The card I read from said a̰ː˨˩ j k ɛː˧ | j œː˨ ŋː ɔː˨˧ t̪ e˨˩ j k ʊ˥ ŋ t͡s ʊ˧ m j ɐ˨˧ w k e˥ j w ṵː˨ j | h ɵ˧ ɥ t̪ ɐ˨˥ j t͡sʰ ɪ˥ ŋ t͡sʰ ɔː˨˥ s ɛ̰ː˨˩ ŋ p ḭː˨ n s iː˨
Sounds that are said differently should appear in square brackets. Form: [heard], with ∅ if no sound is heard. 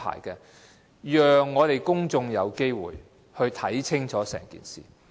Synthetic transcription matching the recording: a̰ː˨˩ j k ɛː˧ | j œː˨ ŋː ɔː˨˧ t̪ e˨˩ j k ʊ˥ ŋ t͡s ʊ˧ [ŋ] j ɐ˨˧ w k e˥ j w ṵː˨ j | h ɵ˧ ɥ [t̪ʰ] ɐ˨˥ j t͡sʰ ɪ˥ ŋ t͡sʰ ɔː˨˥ s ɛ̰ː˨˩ ŋ [k] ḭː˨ n s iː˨